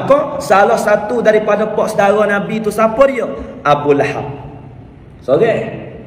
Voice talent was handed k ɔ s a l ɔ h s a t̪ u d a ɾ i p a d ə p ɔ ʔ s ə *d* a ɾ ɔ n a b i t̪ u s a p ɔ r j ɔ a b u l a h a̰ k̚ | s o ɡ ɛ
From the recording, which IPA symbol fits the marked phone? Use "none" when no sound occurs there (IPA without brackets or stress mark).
d